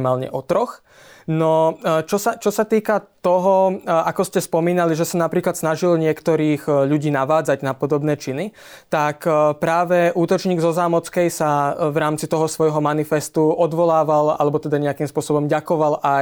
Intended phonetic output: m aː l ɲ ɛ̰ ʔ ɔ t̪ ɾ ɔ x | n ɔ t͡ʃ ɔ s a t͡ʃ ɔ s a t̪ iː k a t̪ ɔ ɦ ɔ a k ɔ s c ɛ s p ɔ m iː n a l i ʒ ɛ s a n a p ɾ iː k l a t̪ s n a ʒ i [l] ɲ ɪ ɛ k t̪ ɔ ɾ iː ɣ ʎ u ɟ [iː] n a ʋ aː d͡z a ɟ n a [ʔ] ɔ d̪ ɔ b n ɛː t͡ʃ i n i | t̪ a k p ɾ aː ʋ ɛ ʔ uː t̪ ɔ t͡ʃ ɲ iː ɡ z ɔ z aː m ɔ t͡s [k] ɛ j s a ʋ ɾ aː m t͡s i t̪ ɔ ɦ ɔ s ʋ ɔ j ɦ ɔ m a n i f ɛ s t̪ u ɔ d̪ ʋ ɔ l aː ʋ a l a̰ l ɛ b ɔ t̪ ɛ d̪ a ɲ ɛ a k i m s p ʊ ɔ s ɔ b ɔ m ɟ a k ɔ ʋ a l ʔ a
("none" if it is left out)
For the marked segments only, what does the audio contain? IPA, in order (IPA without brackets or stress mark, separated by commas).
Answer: l, iː, p, k